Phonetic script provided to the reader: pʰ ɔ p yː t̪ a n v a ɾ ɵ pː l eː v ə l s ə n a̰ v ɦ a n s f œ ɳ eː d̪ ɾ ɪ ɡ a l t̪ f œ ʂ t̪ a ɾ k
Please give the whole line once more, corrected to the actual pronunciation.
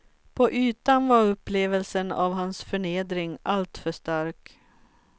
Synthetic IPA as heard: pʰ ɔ ʔ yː t̪ a n v a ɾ ɵ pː l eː v ə l s ə n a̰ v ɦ a n s f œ ɳ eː d̪ ɾ ɪ ŋ a l t̪ f œ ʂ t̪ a ɾ k